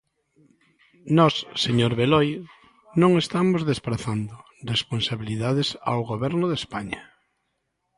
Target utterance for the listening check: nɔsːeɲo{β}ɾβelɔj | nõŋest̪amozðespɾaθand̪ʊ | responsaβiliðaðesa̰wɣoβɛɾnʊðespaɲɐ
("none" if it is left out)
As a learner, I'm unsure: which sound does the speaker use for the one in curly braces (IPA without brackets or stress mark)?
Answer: none